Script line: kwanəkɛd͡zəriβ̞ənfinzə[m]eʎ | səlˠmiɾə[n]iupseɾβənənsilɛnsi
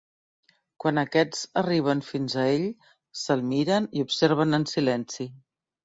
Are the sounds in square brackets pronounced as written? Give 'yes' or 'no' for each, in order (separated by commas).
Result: no, yes